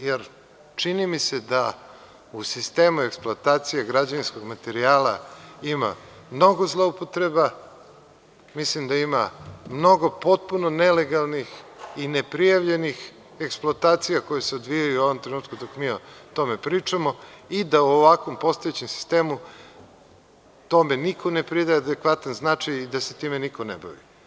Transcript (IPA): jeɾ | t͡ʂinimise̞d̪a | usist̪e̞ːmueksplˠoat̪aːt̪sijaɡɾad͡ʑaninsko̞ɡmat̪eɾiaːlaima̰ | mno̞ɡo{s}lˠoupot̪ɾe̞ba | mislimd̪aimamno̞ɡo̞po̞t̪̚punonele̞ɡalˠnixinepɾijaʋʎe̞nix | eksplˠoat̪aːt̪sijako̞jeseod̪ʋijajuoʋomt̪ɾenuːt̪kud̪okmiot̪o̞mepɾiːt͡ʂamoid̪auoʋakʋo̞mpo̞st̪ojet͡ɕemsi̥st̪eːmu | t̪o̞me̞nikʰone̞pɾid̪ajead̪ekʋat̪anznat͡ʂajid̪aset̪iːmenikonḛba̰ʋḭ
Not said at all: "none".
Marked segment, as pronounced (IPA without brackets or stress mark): z